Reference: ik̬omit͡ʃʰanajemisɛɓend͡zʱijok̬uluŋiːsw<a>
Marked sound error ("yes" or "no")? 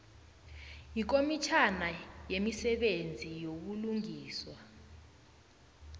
no